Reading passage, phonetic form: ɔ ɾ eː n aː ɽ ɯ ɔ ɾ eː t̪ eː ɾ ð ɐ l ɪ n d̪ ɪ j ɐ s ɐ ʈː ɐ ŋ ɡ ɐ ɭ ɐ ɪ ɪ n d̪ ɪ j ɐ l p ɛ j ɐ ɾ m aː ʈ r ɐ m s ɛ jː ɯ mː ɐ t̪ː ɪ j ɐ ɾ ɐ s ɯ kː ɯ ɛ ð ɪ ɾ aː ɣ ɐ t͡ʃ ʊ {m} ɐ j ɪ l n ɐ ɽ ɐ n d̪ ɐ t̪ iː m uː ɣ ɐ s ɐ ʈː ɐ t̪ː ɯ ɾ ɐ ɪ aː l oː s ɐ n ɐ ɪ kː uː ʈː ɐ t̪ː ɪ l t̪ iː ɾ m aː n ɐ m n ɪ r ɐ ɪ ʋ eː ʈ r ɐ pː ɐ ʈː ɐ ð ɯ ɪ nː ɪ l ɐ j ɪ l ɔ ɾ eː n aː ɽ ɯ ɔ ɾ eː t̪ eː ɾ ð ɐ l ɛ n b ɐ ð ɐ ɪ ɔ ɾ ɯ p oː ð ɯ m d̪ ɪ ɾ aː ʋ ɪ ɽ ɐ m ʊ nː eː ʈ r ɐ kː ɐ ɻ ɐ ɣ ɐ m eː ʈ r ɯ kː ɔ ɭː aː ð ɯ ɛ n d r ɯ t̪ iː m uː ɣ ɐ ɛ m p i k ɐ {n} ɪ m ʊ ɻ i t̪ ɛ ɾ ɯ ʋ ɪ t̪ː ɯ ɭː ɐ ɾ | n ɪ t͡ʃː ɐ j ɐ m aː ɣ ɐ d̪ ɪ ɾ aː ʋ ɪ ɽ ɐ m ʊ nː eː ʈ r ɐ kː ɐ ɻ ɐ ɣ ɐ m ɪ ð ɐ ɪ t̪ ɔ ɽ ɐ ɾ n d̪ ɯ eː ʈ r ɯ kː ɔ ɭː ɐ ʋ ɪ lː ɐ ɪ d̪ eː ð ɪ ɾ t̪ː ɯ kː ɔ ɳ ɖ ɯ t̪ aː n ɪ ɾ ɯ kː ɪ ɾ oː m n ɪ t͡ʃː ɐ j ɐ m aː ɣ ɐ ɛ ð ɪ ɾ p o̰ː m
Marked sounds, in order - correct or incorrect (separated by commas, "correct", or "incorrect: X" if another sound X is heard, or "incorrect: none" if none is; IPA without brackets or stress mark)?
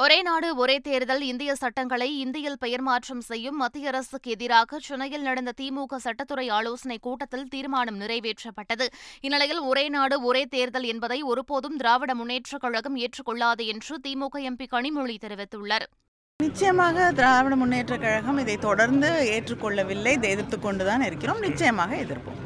incorrect: n, incorrect: ɳ